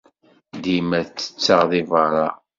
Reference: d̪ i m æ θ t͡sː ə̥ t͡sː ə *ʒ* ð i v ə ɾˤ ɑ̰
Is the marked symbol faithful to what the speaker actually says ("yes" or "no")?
no